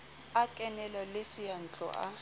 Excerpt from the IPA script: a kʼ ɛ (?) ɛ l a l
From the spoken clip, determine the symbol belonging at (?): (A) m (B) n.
B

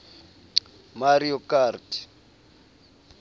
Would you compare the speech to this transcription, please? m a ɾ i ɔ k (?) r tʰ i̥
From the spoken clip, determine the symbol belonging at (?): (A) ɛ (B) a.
B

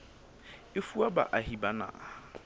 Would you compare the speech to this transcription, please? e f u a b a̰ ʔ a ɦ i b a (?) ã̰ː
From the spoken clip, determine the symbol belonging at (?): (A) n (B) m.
A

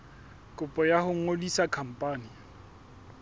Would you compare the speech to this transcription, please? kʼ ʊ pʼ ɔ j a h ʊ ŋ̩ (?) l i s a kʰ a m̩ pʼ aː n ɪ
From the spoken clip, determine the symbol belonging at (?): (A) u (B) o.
B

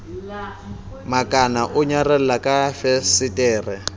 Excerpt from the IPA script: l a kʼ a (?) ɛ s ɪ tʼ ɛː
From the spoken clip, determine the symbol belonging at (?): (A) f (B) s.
A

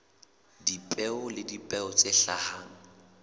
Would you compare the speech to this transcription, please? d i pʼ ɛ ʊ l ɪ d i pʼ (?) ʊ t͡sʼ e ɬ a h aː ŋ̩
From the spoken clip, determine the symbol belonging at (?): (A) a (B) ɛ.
B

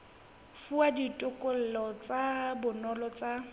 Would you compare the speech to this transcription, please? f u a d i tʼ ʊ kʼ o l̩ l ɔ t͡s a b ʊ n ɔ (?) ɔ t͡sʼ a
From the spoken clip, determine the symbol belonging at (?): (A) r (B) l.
B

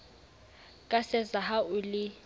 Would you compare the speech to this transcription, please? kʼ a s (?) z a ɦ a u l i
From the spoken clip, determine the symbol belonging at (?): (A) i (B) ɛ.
B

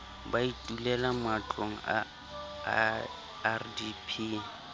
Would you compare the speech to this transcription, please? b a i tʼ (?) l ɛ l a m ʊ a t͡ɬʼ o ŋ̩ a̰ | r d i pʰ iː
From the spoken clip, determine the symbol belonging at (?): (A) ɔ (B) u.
B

